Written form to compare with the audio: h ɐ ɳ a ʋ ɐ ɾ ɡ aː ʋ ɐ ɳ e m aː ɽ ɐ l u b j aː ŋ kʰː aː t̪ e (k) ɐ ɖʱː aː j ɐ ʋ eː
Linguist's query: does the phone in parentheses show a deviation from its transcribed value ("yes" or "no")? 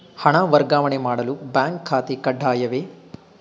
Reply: no